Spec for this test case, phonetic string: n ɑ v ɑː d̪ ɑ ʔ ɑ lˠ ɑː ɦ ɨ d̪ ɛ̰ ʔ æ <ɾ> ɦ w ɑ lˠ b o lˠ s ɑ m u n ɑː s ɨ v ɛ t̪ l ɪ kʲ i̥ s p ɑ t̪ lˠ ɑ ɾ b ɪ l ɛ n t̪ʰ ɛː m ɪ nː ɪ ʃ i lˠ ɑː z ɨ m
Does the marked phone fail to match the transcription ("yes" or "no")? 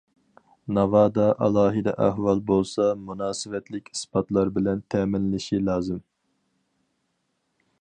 yes